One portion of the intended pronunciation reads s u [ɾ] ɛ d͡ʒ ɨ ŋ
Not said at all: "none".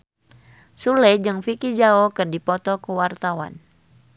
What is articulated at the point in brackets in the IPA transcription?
l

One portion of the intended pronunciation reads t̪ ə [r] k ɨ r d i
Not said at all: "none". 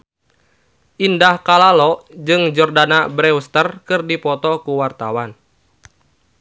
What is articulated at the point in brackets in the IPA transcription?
r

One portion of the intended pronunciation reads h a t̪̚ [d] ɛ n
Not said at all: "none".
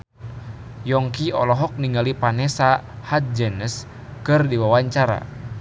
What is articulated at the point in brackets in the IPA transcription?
d͡ʒ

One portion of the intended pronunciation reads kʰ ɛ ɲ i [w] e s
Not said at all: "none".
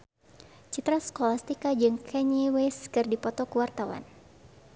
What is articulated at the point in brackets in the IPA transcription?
w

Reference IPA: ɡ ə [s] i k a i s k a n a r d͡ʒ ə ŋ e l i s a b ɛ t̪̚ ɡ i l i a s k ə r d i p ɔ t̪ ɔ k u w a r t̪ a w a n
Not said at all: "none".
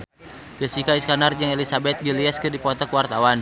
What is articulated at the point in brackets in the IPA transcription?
s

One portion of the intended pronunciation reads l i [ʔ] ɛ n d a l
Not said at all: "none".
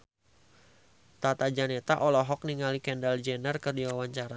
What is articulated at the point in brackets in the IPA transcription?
k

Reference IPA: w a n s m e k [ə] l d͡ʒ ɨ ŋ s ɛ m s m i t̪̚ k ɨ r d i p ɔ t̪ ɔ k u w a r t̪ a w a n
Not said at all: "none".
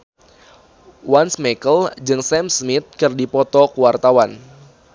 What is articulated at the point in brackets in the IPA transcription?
ə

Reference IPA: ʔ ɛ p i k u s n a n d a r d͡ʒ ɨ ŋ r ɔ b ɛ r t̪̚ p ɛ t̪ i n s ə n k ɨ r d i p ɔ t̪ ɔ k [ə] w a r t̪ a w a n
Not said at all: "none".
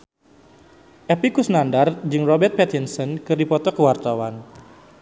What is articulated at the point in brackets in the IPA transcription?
ə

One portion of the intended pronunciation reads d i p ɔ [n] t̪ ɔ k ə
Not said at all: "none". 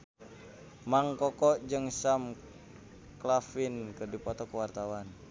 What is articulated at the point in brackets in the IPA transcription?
none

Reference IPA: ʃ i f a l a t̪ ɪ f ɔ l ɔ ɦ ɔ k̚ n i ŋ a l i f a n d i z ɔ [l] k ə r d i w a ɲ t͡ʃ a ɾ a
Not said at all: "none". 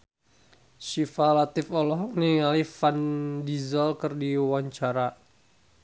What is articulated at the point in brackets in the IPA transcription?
l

